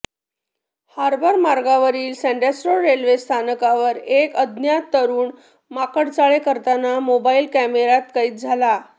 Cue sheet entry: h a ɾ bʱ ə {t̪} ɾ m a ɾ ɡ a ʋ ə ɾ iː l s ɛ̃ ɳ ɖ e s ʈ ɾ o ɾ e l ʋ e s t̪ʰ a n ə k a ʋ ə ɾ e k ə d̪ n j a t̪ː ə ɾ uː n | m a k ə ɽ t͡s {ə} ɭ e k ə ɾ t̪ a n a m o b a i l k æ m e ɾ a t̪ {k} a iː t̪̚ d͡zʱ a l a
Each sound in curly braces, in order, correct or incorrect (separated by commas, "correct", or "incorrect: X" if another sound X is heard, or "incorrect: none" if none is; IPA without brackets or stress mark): incorrect: none, incorrect: a, correct